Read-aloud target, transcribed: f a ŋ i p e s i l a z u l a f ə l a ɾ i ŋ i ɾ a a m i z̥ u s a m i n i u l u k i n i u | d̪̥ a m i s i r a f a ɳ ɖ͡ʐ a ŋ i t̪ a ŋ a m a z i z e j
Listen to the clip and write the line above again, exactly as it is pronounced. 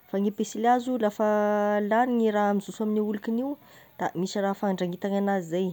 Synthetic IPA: f a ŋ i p e s i l a z u l a f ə l a ɾ i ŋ i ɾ a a m i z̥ u s a m i n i u l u k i n i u | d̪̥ a m i s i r a f a ɳ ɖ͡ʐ a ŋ i t̪ a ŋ a n a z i z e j